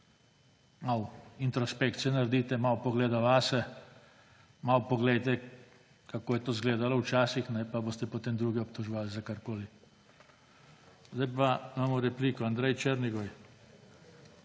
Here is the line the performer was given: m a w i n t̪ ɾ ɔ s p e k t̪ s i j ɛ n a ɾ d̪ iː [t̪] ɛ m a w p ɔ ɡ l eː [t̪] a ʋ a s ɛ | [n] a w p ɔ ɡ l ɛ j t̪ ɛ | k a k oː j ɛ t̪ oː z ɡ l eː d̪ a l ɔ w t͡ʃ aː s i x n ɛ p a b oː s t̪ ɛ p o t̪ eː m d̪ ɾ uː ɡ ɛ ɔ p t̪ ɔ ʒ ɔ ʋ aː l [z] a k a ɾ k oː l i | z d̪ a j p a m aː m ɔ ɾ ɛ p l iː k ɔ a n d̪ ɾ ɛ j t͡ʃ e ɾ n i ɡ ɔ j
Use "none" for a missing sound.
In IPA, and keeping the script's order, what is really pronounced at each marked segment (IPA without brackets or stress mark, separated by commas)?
t̪, d̪, m, z